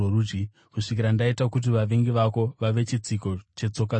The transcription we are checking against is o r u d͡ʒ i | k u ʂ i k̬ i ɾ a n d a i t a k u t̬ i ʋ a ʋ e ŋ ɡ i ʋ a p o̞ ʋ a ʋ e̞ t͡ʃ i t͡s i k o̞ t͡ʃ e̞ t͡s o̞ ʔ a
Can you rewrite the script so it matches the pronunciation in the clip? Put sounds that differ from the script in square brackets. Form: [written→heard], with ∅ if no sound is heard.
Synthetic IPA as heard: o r u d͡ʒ i | k u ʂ i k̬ i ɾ a n d a i t a k u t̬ i ʋ a ʋ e ŋ ɡ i ʋ a [p→k] o̞ ʋ a ʋ e̞ t͡ʃ i t͡s i k o̞ t͡ʃ e̞ t͡s o̞ [ʔ→k] a